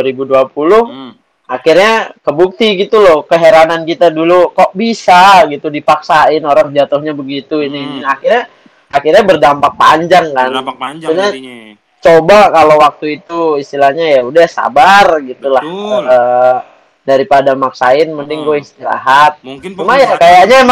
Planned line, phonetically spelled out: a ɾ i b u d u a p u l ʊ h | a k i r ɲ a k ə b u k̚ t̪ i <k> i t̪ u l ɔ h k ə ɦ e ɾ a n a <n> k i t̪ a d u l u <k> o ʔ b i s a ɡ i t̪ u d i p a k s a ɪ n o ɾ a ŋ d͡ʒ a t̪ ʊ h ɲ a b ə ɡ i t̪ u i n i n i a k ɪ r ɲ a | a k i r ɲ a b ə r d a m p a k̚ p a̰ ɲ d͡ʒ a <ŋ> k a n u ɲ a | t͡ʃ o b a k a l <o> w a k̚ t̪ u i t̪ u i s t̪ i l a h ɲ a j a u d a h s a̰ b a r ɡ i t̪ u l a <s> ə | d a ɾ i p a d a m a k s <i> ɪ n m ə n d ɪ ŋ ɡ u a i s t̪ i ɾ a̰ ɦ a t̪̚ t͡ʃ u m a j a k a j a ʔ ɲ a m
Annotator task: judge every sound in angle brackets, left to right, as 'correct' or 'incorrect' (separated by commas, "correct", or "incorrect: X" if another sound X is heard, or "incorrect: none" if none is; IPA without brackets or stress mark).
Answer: incorrect: ɡ, correct, correct, correct, correct, incorrect: h, incorrect: a